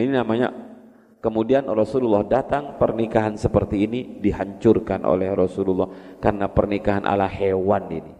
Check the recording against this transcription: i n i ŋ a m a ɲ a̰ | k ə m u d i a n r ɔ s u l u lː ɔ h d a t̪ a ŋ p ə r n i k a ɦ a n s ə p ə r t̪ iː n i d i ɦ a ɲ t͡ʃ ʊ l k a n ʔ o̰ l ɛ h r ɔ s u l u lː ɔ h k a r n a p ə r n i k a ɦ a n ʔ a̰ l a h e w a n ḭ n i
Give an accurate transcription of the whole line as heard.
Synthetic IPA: i n i n a m a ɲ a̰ | k ə m u d i a n r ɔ s u l u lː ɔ h d a t̪ a ŋ p ə r n i k a ɦ a n s ə p ə r t̪ iː n i d i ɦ a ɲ t͡ʃ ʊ r k a n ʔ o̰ l ɛ h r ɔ s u l u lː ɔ h k a r n a p ə r n i k a ɦ a n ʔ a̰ l a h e w a n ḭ n i